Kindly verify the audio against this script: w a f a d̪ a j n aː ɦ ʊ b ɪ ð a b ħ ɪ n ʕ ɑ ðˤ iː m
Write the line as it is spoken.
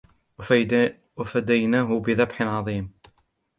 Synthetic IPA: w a f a d̪ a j n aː ɦ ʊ b ɪ ð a b ħ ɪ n ʕ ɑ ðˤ iː m